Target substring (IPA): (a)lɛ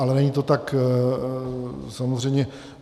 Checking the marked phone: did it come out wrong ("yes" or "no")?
no